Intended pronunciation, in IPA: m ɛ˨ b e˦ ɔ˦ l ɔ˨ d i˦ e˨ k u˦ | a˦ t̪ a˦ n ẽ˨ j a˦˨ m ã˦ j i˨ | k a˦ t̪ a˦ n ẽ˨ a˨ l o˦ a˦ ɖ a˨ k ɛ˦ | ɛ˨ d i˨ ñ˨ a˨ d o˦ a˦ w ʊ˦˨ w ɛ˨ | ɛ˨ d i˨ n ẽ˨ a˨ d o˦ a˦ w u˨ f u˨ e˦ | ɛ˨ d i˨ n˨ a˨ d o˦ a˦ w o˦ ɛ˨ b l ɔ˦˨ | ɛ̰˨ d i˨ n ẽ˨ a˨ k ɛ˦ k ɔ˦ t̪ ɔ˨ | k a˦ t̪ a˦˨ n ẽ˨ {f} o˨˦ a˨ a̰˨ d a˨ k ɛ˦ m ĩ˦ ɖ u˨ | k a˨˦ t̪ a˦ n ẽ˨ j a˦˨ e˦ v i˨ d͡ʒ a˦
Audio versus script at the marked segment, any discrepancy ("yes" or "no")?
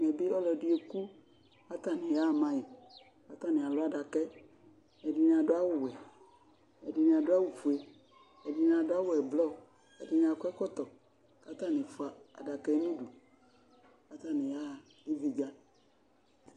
no